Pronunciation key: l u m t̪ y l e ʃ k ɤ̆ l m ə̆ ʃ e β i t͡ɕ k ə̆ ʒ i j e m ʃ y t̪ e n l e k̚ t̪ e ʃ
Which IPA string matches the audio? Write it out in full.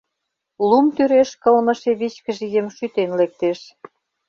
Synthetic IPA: l u m t̪ y ɾ e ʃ k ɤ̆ l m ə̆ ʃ e β i t͡ɕ k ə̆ ʒ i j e m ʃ y t̪ e n l e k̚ t̪ e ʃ